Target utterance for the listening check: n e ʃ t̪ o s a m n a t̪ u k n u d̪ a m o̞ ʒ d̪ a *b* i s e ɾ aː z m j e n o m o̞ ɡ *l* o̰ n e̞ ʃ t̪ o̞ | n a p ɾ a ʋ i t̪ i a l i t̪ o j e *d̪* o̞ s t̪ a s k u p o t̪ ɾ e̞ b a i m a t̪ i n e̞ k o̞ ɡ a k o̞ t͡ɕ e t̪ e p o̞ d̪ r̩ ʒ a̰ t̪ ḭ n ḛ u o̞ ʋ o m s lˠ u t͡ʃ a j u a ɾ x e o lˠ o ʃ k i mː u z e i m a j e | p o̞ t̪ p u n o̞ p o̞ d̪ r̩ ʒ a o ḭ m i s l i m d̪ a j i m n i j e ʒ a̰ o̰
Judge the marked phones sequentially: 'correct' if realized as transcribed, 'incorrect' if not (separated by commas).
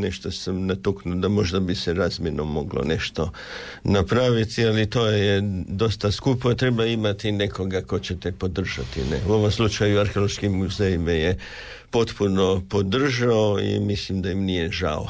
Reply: correct, correct, correct